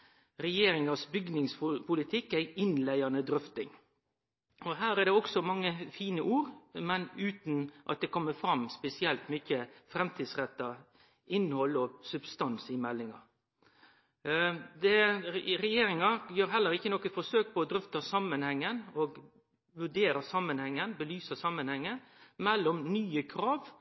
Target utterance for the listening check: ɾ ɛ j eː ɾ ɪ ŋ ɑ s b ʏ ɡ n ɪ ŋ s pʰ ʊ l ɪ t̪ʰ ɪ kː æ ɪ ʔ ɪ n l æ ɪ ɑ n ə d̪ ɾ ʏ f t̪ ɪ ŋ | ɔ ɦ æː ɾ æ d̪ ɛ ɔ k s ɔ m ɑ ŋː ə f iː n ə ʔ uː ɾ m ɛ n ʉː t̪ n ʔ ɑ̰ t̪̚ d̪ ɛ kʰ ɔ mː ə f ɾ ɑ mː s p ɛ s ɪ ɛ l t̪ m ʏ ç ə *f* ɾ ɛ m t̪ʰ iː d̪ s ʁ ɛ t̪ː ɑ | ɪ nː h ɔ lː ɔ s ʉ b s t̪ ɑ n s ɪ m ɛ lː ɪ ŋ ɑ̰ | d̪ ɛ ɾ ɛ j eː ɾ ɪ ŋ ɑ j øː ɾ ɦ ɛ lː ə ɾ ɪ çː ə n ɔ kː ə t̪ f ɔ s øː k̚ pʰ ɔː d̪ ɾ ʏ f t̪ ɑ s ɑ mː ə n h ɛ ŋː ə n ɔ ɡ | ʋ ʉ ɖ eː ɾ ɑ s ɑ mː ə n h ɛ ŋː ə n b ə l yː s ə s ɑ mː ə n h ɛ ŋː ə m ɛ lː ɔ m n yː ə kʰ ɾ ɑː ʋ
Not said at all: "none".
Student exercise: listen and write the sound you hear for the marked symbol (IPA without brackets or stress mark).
f